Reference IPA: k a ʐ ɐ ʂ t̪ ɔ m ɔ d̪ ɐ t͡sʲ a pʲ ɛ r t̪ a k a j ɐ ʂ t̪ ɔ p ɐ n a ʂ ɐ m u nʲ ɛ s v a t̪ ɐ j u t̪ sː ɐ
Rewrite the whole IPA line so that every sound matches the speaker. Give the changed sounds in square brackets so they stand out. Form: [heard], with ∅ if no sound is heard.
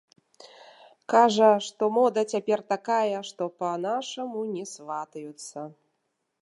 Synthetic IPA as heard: k a ʐ ɐ ʂ t̪ ɔ m ɔ d̪ ɐ t͡sʲ a pʲ ɛ r t̪ a k a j ɐ ʂ t̪ ɔ p ɐ n a ʂ ɐ m u nʲ ɛ s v a t̪ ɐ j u t̪ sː ɐ